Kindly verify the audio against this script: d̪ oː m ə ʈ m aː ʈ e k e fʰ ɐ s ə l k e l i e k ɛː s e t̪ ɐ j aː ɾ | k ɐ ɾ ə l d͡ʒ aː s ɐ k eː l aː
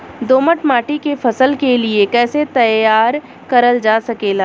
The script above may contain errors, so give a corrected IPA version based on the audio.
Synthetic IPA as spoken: d̪ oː m ə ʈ m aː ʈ i k e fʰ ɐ s ə l k e l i e k ɛː s e t̪ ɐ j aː ɾ | k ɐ ɾ ə l d͡ʒ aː s ɐ k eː l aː